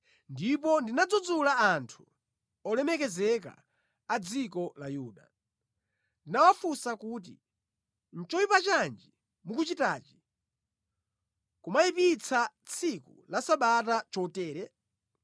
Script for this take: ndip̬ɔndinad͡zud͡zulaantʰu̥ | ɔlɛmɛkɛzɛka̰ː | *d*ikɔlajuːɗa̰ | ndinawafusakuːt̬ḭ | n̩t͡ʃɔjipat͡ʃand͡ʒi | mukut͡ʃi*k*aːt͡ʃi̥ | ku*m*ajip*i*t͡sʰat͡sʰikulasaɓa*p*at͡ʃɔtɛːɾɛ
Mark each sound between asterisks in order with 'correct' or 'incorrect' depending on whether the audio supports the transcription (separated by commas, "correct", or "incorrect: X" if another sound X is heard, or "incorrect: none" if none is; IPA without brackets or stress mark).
incorrect: d͡z, incorrect: t, correct, correct, incorrect: t